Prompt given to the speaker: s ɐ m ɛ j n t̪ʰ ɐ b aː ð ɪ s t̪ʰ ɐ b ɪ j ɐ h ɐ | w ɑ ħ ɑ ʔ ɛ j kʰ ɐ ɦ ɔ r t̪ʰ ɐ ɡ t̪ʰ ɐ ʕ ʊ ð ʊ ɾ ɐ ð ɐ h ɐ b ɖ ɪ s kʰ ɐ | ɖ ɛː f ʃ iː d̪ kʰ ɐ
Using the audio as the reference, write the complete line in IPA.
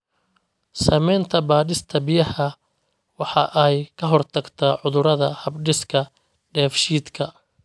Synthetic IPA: s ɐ m ɛ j n t̪ʰ ɐ b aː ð ɪ s t̪ʰ ɐ b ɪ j ɐ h ɐ | w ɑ ħ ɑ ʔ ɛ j kʰ ɐ ɦ ɔ r t̪ʰ ɐ ɡ t̪ʰ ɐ ʕ ʊ ð ʊ ɾ ɐ ð ɐ h ɐ b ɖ ɪ s kʰ ɐ | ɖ ɛː f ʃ iː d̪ kʰ ɐ

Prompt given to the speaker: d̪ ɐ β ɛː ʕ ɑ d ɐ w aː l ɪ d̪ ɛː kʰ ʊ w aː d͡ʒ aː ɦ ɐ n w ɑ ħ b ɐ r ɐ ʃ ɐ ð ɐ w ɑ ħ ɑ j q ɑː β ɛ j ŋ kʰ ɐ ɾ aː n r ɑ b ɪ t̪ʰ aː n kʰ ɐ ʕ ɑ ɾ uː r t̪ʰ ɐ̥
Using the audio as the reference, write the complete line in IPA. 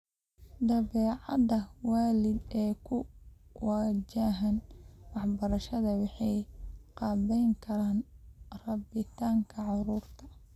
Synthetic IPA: d̪ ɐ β ɛː ʕ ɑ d ɐ w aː l ɪ d̪ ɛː kʰ ʊ w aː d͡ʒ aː ɦ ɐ n w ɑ ħ b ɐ ɾ ɐ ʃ ɐ ð ɐ w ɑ ħ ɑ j q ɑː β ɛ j ŋ kʰ ɐ ɾ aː n r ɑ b ɪ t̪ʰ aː ŋ kʰ ɐ ʕ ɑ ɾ uː r t̪ʰ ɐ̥

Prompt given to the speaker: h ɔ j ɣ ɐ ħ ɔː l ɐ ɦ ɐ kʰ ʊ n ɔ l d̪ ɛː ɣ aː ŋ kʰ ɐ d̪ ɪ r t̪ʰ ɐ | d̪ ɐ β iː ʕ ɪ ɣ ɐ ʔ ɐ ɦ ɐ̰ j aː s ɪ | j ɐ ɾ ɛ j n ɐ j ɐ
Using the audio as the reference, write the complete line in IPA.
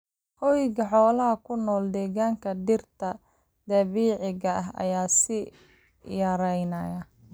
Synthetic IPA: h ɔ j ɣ ɐ ħ ɔː l ɐ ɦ ɐ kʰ ʊ n ɔː l d̪ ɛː ɣ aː ŋ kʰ ɐ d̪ ɪ r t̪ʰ ɐ | d̪ ɐ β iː ʕ ɪ ɣ ɐ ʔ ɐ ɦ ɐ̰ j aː s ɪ | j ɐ ɾ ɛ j n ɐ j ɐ

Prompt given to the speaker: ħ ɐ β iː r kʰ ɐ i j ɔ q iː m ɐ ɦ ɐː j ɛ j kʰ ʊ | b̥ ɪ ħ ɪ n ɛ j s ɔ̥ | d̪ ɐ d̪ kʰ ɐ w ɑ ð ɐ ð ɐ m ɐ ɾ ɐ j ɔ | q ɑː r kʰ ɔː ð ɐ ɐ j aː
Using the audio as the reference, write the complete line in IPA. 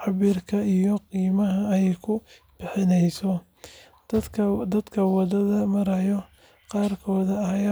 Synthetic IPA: ħ ɑ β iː r kʰ ɐ i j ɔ q iː m ɐ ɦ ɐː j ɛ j kʰ ʊ | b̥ ɪ ħ ɪ n ɛ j s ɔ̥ | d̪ ɐ d̪ kʰ ɐ w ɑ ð ɐ ð ɐ m ɐ ɾ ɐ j ɔ | q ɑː r kʰ ɔː ð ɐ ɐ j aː

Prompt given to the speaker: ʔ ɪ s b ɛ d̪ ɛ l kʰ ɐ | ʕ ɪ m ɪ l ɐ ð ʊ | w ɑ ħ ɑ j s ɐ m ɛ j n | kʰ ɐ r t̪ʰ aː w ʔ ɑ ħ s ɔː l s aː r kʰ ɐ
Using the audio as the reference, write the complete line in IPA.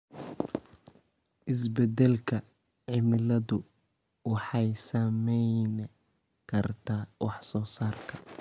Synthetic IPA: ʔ ɪ s b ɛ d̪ ɛ l kʰ ɐ | ʕ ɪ m ɪ l ɐ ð ʊ | w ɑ ħ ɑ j s ɐ m ɛ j n | kʰ ɐ r t̪ʰ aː w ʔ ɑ ħ s ɔː s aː r kʰ ɐ

